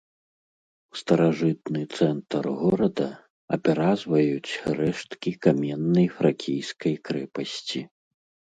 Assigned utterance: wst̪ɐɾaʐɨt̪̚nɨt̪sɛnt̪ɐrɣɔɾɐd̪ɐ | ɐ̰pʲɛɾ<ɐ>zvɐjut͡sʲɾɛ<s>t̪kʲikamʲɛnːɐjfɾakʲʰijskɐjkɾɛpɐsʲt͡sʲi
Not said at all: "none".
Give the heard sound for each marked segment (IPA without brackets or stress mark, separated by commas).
a, ʂ